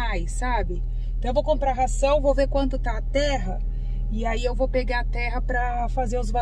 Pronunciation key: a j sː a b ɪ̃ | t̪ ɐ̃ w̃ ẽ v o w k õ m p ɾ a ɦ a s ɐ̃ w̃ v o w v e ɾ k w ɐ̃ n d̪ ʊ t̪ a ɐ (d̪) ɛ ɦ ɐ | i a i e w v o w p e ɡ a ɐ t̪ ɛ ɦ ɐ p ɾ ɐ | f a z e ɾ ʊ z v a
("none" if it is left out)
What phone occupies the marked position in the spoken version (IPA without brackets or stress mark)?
t̪